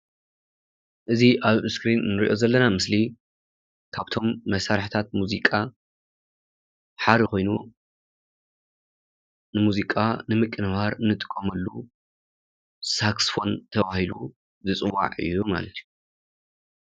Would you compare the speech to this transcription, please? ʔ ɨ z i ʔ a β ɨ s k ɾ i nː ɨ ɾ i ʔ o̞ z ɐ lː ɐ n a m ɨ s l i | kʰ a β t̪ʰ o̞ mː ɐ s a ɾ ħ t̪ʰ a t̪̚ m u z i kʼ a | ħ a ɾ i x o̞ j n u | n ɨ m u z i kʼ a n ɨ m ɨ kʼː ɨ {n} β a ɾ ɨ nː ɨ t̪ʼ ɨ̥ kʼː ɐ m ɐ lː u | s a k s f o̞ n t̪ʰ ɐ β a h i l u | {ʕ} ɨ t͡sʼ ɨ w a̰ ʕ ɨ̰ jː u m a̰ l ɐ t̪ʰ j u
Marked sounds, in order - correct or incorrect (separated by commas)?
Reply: correct, incorrect